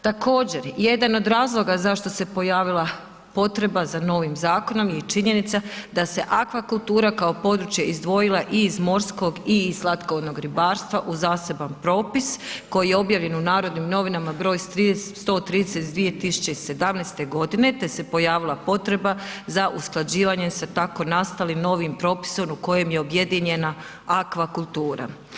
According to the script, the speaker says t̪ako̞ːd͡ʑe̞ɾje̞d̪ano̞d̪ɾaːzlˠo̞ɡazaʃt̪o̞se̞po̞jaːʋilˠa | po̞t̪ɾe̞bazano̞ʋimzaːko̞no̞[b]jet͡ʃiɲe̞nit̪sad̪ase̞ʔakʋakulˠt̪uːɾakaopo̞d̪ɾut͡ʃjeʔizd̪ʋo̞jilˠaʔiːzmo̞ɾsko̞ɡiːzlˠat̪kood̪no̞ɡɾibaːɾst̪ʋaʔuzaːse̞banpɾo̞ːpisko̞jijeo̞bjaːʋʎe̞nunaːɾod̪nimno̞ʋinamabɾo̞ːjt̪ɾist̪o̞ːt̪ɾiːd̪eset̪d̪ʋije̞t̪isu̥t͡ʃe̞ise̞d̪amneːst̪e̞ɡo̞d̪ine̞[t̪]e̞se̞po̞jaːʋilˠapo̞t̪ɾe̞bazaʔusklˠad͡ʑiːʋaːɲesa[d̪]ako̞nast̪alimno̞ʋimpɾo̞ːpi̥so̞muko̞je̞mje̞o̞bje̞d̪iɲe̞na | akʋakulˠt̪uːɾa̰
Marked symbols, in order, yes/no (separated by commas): no, yes, no